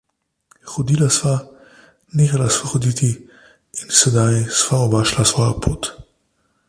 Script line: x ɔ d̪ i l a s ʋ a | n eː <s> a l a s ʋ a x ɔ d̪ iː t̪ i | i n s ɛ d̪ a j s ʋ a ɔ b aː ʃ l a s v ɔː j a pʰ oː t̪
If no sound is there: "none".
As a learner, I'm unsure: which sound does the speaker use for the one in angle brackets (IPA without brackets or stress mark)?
x